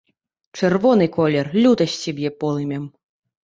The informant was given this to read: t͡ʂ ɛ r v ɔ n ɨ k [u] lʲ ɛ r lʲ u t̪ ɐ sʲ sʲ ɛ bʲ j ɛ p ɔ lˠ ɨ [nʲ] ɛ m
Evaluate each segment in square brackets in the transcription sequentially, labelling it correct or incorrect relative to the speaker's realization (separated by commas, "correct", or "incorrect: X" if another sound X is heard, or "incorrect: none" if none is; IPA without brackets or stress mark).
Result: incorrect: ɔ, incorrect: mʲ